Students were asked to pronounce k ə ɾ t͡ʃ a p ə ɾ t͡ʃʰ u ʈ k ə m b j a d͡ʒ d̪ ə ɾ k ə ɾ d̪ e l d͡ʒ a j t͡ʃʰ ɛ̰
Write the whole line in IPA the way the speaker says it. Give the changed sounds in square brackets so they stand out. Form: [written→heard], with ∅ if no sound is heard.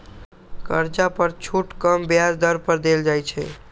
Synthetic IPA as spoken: k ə ɾ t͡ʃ a p ə ɾ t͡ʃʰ u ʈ k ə m b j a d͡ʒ d̪ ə ɾ [k→p] ə ɾ d̪ e l d͡ʒ a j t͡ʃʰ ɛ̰